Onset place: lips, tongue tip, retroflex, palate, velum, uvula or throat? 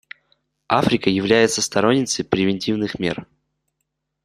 lips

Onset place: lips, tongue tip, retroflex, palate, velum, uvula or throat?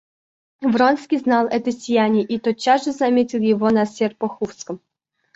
lips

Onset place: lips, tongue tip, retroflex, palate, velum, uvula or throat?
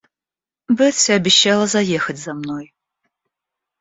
lips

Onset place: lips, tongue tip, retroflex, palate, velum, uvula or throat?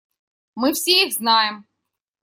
lips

